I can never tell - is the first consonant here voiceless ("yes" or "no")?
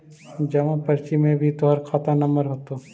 no